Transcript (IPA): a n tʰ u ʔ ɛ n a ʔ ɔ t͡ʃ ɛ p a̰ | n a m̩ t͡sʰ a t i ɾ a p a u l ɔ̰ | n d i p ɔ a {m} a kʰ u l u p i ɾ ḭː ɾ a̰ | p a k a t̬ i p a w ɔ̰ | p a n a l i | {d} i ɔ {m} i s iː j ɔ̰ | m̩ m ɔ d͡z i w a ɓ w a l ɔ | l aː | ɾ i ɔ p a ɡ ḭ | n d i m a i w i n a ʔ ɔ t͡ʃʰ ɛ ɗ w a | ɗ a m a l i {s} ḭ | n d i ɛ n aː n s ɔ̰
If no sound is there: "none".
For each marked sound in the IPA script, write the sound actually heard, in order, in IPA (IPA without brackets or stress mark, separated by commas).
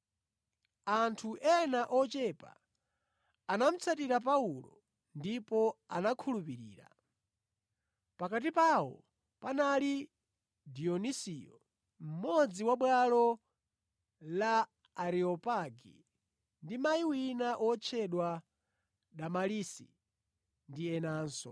n, d, n, s